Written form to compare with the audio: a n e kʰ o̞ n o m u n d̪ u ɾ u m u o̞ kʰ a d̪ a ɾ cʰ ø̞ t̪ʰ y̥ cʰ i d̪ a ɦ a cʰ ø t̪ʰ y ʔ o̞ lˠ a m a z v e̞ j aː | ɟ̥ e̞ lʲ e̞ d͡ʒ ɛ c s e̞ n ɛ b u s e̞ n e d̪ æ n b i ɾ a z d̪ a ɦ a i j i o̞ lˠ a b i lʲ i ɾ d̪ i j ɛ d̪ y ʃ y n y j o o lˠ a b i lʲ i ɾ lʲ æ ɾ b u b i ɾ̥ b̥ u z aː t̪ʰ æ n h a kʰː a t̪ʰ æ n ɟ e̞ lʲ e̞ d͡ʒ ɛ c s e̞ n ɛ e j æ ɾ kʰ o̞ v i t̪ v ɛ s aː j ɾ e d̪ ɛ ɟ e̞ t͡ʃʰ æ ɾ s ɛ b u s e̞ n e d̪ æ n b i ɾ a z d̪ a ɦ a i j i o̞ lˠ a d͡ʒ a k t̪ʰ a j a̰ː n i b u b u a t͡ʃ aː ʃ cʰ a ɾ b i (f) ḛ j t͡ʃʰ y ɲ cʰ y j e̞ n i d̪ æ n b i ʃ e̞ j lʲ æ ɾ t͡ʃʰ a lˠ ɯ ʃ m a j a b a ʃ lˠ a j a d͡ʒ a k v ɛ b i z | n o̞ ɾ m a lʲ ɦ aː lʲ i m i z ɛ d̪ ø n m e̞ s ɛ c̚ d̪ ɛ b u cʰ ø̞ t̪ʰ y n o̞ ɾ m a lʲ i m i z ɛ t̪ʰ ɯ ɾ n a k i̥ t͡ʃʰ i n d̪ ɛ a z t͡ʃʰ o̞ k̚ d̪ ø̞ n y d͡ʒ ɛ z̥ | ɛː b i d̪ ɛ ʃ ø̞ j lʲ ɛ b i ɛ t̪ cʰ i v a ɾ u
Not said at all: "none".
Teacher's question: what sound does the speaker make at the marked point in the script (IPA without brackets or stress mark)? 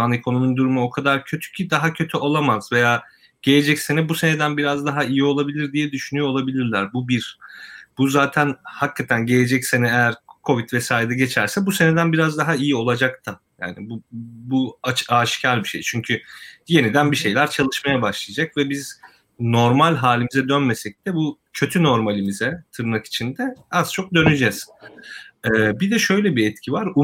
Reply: ʃ